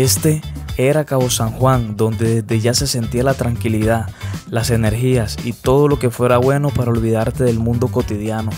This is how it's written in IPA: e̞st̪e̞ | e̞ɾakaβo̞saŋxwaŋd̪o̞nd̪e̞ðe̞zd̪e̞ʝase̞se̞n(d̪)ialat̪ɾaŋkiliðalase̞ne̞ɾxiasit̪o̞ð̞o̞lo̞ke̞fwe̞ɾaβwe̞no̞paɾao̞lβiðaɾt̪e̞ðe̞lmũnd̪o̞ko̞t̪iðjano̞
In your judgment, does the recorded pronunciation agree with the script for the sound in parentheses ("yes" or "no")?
no